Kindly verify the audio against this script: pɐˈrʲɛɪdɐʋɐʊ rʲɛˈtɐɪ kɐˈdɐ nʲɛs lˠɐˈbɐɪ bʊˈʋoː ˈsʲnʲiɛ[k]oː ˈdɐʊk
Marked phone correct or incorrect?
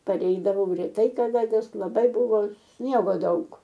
incorrect